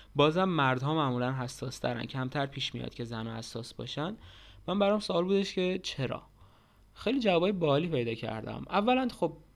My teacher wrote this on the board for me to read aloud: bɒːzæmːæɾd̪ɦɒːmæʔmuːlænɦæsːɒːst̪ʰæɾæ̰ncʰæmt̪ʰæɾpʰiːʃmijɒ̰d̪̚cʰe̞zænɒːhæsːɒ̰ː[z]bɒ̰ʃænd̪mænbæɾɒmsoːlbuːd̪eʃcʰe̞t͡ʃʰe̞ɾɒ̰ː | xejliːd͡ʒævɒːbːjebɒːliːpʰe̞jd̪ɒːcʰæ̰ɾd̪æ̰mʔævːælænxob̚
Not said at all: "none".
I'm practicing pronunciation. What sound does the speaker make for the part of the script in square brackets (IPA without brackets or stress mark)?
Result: s